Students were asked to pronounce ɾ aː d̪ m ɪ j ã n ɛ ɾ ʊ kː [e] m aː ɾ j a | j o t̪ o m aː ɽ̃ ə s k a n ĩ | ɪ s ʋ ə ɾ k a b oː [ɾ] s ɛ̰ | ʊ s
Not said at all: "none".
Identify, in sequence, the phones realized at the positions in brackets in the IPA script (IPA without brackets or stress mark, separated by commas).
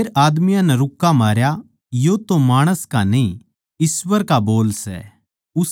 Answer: a, l